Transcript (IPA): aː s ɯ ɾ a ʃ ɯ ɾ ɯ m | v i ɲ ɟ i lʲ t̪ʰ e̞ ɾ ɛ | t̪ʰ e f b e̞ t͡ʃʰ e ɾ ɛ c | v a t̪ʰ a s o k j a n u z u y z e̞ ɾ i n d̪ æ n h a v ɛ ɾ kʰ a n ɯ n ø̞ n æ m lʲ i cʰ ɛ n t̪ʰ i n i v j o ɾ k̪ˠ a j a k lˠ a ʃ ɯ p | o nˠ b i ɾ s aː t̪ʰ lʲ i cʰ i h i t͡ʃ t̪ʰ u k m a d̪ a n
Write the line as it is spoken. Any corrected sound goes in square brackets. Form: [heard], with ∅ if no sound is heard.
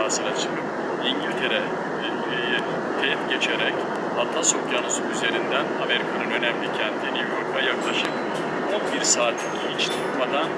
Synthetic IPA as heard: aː s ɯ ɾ a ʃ ɯ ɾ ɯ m | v i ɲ ɟ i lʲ t̪ʰ e̞ ɾ ɛ | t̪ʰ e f [ɟ] e̞ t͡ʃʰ e ɾ ɛ c | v a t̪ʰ a s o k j a n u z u y z e̞ ɾ i n d̪ æ n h a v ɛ ɾ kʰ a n ɯ n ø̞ n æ m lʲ i cʰ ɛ n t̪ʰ i n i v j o ɾ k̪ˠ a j a k lˠ a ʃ ɯ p | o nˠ b i ɾ s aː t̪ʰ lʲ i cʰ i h i t͡ʃ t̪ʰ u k m a d̪ a n